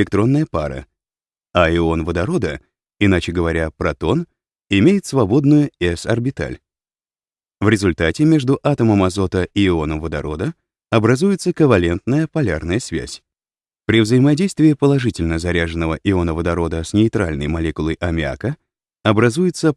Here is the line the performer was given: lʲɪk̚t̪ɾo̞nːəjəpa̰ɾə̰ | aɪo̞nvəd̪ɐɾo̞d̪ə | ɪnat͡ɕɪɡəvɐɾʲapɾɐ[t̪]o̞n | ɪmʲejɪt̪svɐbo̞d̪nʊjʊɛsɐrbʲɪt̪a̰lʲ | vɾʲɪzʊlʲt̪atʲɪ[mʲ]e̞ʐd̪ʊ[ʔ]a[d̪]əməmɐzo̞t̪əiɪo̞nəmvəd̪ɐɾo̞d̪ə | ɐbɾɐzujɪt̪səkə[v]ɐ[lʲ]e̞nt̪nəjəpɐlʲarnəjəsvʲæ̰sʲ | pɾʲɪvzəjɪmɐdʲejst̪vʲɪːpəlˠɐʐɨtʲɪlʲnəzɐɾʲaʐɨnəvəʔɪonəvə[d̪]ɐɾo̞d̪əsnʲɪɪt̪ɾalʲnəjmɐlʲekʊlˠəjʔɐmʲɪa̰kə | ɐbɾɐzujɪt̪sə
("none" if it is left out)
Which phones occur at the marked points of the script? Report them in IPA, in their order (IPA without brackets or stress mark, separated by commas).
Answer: t̪, mʲ, ʔ, t̪, v, lʲ, d̪